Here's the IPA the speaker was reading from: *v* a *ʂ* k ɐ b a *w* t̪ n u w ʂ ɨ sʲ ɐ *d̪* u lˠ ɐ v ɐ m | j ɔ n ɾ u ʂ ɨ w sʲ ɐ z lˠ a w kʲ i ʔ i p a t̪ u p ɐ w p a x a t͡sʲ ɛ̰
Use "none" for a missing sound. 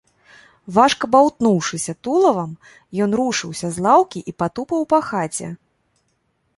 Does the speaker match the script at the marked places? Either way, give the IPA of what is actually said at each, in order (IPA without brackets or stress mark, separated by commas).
v, ʂ, w, t̪